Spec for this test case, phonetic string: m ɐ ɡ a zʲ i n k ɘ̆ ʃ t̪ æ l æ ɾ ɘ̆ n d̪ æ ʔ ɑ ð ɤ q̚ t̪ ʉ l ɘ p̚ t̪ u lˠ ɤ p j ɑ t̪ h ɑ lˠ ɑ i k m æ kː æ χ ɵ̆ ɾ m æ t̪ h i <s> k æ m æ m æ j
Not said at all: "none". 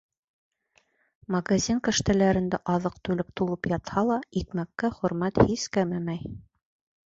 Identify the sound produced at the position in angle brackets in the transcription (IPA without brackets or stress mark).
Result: s